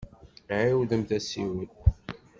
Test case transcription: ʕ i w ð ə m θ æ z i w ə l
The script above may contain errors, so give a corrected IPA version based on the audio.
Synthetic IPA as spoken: ʕ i w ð ə m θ æ s i w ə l